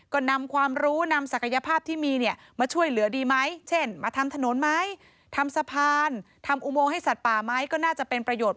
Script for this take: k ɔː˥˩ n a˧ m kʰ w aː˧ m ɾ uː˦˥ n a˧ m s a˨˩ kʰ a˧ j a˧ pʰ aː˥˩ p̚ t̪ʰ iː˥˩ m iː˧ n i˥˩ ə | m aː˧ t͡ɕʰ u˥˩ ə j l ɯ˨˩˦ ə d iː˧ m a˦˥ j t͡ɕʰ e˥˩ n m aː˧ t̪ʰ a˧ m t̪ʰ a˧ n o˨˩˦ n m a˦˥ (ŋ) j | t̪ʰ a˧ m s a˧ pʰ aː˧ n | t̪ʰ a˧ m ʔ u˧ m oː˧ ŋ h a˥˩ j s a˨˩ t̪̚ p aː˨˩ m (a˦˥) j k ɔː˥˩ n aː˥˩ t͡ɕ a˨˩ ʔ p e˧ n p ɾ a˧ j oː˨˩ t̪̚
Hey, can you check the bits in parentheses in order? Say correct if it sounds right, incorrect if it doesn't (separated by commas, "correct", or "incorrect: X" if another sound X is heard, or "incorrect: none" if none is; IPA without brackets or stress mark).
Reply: incorrect: none, correct